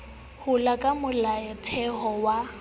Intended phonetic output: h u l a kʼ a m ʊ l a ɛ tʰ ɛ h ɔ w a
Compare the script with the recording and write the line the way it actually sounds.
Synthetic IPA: h ʊ l a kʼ a m ʊ l a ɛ tʰ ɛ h ɔ w a